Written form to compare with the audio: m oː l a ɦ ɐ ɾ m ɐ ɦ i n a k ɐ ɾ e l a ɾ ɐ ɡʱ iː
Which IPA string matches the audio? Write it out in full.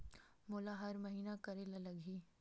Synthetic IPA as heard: m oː l a ɦ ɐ ɾ m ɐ ɦ iː n a k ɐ ɾ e l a l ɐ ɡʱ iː